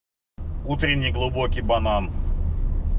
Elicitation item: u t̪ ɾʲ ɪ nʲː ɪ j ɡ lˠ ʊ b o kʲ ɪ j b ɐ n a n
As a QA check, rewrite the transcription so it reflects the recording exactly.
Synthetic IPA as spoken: u t̪ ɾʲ ɪ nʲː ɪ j ɡ lˠ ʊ b o kʲ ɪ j b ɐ n a n